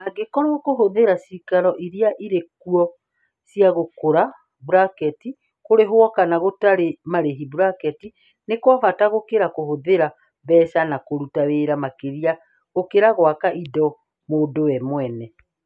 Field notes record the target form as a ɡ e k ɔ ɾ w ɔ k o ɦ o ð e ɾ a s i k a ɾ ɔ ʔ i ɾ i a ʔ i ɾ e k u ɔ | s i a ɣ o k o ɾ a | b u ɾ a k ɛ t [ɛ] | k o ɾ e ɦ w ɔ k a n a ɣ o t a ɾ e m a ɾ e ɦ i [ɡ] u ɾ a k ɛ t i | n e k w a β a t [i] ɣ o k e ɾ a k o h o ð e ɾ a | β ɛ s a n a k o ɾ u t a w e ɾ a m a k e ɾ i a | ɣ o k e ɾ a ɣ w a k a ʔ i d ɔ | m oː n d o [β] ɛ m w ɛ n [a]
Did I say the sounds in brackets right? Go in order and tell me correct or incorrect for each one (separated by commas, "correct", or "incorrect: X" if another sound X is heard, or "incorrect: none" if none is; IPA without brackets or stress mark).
incorrect: i, incorrect: b, incorrect: a, incorrect: w, incorrect: ɛ